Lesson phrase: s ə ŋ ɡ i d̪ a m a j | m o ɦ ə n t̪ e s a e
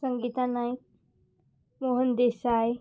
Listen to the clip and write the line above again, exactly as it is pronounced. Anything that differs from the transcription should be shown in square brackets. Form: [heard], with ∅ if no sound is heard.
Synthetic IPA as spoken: s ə ŋ ɡ i [t̪] a [n] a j | m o ɦ ə n [d̪] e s a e